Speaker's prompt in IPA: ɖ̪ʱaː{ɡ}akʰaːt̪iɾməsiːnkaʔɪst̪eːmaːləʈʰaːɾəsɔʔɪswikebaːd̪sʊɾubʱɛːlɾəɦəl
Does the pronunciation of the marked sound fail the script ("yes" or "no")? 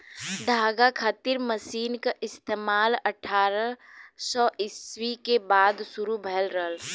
no